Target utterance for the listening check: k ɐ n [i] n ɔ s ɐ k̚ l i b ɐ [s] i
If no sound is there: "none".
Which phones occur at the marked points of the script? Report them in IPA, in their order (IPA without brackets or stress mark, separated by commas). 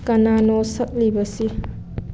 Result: a, s